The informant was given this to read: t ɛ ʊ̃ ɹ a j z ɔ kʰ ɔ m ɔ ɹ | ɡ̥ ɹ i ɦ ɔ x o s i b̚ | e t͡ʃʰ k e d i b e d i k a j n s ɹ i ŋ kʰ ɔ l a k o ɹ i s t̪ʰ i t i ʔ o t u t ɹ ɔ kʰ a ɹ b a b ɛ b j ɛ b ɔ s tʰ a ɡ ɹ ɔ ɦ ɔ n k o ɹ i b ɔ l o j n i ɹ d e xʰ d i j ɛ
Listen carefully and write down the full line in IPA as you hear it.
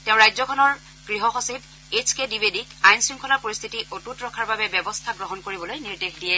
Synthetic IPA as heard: t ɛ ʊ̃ ɹ a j z ɔ kʰ ɔ n ɔ ɹ | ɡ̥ ɹ i ɦ ɔ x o s i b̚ | e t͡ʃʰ k e d i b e d i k a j n s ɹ i ŋ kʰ ɔ l a p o ɹ i s t̪ʰ i t i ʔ o t u t ɹ ɔ kʰ a ɹ b a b ɛ b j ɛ b ɔ s tʰ a ɡ ɹ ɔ ɦ ɔ n k o ɹ i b ɔ l o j n i ɹ d e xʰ d i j ɛ